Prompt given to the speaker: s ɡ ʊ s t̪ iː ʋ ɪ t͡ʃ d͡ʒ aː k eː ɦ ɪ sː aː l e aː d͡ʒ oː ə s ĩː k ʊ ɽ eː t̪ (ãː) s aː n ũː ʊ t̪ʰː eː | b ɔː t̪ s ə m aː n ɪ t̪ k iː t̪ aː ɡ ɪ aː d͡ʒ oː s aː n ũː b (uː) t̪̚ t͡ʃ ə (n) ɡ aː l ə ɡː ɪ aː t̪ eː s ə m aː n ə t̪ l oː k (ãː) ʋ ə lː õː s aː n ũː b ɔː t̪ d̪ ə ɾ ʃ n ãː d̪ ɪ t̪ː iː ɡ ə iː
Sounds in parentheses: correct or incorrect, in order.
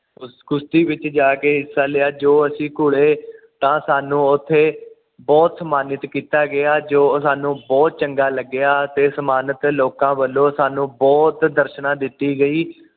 correct, incorrect, incorrect, correct

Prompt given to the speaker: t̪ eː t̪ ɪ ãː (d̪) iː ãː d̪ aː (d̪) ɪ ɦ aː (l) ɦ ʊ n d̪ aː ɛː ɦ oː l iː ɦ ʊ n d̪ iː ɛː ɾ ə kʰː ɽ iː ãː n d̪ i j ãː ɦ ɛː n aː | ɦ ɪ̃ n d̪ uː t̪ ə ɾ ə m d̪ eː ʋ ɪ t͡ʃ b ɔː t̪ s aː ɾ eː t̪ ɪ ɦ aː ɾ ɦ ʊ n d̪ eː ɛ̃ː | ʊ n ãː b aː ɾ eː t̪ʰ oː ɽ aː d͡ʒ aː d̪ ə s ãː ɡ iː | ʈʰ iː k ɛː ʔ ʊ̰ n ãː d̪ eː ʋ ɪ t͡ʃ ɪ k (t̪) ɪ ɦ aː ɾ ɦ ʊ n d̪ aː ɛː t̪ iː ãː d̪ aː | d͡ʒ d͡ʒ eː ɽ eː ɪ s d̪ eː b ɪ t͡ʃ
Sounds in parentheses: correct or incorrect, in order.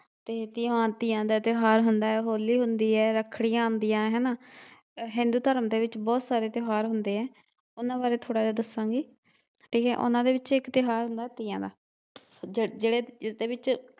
incorrect, incorrect, incorrect, correct

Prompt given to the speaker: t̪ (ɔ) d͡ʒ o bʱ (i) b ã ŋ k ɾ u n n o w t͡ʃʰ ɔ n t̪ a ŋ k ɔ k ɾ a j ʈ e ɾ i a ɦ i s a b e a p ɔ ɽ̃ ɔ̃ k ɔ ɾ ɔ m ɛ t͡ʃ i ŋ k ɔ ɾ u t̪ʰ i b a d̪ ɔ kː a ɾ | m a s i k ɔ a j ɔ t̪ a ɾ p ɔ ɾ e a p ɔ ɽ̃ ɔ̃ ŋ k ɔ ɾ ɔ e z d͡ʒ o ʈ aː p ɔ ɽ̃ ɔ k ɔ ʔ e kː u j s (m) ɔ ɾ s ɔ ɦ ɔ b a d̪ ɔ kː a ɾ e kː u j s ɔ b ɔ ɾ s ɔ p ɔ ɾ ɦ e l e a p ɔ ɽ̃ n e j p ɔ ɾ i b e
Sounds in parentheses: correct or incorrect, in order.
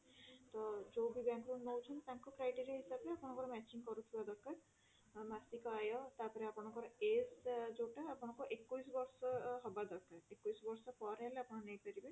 correct, correct, incorrect

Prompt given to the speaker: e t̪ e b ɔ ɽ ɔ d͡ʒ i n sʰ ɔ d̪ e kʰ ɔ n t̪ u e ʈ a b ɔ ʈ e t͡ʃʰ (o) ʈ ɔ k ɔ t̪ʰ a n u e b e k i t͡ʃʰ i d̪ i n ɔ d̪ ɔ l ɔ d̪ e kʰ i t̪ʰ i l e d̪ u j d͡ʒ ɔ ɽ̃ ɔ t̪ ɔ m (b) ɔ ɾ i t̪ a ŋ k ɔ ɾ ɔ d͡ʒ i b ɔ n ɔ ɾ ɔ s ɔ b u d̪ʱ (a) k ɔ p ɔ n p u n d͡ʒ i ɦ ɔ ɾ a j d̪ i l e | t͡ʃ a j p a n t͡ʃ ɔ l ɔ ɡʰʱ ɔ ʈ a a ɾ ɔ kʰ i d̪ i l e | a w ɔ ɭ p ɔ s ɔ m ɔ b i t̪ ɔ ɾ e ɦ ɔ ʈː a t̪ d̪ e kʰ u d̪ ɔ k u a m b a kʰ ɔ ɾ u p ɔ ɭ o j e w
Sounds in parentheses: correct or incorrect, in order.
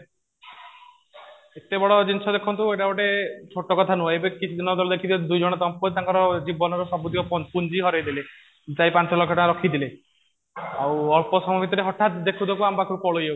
correct, incorrect, incorrect

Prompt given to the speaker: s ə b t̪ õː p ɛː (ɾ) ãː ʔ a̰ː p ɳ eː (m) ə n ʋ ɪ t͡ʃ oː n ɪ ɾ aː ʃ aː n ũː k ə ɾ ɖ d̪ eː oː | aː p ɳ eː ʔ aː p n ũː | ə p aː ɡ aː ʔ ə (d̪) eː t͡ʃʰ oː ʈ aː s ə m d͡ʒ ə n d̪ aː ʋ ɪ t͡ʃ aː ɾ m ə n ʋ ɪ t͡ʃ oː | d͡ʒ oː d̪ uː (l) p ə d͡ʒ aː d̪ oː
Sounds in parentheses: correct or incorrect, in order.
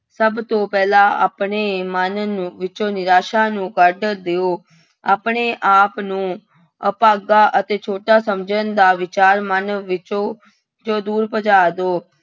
incorrect, correct, incorrect, incorrect

